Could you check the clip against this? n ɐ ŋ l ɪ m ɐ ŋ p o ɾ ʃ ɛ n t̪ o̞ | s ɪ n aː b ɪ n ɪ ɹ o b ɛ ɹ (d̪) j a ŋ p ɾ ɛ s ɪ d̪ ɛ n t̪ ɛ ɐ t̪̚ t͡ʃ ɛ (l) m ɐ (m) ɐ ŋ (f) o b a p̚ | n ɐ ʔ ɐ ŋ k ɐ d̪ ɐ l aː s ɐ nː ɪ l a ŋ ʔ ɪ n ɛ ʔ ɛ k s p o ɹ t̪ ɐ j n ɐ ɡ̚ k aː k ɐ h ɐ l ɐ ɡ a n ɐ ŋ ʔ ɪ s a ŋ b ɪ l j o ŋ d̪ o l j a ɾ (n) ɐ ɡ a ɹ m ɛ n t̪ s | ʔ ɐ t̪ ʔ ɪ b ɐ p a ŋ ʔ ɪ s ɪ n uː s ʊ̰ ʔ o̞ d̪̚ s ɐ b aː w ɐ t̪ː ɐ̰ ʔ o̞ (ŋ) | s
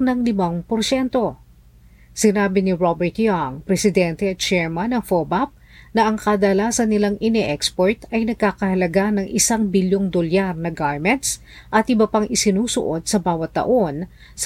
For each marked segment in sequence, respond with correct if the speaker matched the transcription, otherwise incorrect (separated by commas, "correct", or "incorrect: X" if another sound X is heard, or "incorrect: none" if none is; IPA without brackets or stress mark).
incorrect: t̪, incorrect: ɹ, incorrect: n, correct, correct, incorrect: n